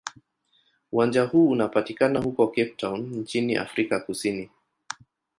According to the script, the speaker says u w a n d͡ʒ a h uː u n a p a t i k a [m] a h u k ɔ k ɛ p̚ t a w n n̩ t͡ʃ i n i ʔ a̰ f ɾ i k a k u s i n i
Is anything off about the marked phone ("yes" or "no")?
yes